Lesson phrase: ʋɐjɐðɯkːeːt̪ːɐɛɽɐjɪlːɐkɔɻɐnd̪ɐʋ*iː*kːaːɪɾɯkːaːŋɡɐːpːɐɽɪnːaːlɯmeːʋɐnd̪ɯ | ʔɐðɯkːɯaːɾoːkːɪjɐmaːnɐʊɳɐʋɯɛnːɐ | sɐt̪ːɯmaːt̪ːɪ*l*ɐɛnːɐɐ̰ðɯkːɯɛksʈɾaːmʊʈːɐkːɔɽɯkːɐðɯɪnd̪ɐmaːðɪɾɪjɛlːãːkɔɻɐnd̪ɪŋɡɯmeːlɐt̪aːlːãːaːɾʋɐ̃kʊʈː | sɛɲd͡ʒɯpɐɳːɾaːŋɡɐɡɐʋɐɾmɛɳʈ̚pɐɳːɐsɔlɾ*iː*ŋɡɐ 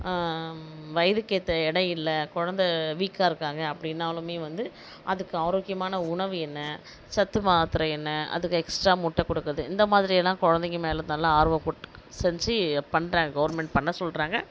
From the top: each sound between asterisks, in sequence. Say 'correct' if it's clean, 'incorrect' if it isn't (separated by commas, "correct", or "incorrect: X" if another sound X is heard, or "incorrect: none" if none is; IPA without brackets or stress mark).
correct, incorrect: ɾ, incorrect: aː